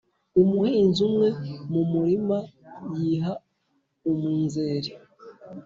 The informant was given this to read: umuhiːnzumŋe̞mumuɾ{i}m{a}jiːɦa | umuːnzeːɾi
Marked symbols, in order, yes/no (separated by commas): yes, yes